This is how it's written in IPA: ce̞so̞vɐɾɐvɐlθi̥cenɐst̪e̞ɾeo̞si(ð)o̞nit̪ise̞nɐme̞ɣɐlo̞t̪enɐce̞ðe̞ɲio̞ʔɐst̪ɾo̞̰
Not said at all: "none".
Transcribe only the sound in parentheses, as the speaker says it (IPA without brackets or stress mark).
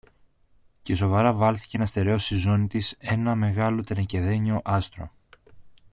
z